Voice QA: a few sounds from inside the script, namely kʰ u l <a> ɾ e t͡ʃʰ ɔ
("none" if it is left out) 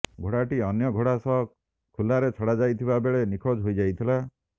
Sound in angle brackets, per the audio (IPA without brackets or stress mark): a